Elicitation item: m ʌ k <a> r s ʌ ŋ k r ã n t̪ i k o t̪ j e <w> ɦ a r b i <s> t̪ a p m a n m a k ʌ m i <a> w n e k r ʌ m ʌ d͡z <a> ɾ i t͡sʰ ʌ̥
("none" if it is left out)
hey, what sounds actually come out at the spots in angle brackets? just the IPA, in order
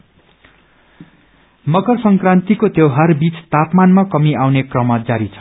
ʌ, w, t͡s, a, a

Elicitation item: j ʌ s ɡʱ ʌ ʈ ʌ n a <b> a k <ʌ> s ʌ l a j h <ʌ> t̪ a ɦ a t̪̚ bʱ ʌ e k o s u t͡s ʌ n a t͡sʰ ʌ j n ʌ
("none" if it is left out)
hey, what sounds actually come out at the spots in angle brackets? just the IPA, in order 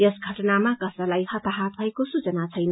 m, ʌ, ʌ

